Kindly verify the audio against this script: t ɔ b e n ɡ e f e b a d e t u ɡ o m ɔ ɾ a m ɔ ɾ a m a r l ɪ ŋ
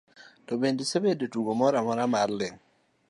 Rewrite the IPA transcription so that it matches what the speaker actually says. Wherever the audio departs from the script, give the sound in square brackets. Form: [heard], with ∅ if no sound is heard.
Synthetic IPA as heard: t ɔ b e n [d] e [s] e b [e] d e t u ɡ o m ɔ ɾ a m ɔ ɾ a m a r l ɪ ŋ